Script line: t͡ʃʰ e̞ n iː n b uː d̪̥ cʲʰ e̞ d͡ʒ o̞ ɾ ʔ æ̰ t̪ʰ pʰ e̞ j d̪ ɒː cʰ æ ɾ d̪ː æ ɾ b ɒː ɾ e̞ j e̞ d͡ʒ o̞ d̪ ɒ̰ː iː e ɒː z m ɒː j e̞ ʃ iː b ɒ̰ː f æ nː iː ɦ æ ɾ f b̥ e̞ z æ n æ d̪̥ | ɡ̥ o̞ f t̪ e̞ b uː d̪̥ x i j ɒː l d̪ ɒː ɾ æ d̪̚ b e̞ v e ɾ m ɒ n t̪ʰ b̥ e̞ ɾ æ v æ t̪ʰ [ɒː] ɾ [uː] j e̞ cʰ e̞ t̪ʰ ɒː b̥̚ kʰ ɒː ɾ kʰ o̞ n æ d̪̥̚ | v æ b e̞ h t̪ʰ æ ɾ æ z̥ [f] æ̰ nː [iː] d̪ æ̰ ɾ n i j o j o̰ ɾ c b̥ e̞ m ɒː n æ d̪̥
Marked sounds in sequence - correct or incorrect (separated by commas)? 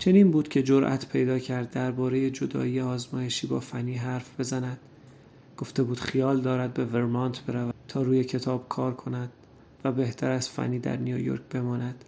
correct, correct, correct, correct